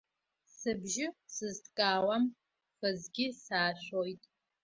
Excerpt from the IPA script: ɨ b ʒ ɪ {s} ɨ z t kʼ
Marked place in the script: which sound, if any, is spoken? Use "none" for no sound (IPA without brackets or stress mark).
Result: s